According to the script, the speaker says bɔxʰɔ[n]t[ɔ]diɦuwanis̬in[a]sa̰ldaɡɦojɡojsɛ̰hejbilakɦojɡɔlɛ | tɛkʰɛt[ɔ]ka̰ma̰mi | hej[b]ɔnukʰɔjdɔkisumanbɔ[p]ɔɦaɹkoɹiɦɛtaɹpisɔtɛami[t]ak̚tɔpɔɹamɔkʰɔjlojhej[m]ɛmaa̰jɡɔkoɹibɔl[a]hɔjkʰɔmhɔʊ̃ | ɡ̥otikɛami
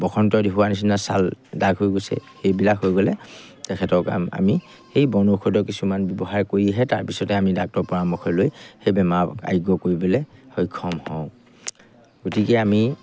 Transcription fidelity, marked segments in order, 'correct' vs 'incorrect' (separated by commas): correct, correct, correct, correct, correct, incorrect, incorrect, incorrect, incorrect